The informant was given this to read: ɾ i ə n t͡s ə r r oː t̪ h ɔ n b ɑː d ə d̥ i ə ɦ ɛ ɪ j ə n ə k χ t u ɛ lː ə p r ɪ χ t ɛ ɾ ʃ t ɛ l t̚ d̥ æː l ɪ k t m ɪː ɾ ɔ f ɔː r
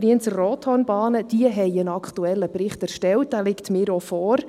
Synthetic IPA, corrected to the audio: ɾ i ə n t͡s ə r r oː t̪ h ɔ n b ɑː n ə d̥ i ə ɦ ɛ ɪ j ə n ɑ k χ t u ɛ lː ə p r ɪ χ t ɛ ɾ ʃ t ɛ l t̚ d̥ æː l ɪ k t m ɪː ɾ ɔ f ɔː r